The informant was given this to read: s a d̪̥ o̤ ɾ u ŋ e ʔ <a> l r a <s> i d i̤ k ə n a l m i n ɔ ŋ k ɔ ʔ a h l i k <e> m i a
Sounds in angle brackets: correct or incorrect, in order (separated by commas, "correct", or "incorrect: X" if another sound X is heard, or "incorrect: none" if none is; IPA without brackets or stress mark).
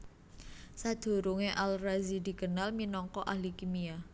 correct, incorrect: z, incorrect: i